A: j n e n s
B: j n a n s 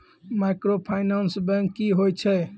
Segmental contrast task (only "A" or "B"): B